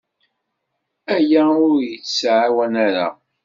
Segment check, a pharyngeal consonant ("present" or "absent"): present